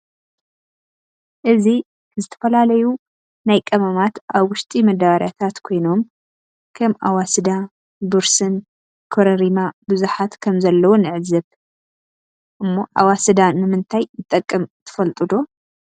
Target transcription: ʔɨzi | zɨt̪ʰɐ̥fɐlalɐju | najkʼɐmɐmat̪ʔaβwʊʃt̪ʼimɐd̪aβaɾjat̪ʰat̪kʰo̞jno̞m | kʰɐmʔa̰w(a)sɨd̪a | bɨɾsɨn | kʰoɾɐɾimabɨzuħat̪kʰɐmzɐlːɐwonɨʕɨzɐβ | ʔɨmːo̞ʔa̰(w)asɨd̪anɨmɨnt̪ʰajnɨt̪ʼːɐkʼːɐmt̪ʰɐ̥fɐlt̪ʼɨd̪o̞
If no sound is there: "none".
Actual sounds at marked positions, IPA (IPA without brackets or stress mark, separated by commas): a, w